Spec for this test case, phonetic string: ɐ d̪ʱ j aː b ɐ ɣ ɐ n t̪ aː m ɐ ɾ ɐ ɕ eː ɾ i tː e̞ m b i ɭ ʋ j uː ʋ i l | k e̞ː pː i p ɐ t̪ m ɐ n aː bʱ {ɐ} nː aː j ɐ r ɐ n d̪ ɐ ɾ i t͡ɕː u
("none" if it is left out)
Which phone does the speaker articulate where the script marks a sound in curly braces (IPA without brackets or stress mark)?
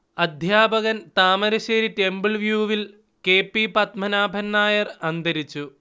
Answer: ɐ